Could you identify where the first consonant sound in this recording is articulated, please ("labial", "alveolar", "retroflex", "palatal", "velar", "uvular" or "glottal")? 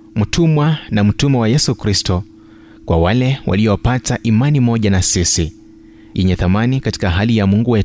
labial